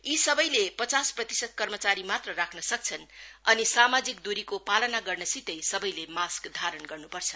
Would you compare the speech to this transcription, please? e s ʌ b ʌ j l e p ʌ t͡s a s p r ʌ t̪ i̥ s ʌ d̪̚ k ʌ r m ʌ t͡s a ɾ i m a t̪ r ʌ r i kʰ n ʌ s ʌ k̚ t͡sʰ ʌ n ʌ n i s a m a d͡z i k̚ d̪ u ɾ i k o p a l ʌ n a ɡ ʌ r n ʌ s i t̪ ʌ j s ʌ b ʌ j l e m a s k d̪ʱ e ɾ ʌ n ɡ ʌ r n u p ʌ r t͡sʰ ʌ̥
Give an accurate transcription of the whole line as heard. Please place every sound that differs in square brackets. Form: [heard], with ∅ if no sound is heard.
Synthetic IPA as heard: [i] s ʌ b ʌ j l e p ʌ t͡s a s p r ʌ t̪ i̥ s ʌ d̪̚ k ʌ r m ʌ t͡s a ɾ i m a t̪ r ʌ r [a] kʰ n ʌ s ʌ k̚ t͡sʰ ʌ n ʌ n i s a m a d͡z i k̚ d̪ u ɾ i k o p a l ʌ n a ɡ ʌ r n ʌ s i t̪ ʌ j s ʌ b ʌ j l e m a s k d̪ʱ [a] ɾ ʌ n ɡ ʌ r n u p ʌ r t͡sʰ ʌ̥